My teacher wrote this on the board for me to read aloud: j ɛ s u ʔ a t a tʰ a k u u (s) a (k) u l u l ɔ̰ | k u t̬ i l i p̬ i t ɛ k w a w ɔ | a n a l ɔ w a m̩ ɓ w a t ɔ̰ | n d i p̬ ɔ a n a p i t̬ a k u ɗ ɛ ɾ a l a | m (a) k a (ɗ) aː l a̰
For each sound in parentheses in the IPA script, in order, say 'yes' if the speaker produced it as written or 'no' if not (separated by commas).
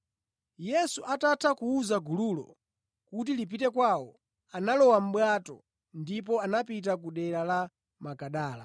no, no, yes, yes